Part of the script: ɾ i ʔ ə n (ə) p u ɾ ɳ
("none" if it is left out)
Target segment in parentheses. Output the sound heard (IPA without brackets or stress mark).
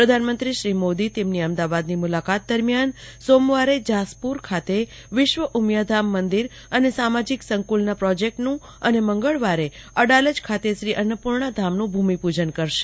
ə